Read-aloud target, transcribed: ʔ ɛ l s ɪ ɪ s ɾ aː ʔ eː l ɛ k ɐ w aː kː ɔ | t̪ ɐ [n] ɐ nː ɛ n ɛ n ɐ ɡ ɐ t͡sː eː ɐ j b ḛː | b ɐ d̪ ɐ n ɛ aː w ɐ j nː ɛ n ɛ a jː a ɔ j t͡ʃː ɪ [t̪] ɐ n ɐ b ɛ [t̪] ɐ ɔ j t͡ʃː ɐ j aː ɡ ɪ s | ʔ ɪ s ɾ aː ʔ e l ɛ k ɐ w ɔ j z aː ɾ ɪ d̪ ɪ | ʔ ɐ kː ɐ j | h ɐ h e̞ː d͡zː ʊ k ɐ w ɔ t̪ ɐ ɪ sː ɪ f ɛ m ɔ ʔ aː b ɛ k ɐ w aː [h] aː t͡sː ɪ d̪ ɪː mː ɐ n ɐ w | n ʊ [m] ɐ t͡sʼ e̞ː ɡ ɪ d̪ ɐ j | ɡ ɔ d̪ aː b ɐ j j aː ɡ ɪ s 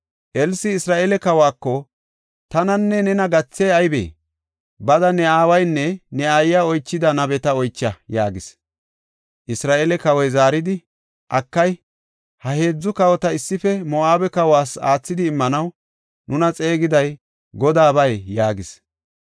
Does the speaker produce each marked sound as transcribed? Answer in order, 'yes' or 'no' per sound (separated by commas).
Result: yes, no, yes, no, no